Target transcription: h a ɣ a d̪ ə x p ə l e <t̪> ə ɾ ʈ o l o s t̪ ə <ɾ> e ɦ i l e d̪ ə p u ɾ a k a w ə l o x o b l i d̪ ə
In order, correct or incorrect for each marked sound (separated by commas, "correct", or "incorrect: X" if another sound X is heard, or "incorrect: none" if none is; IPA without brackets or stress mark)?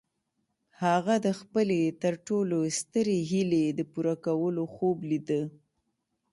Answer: correct, correct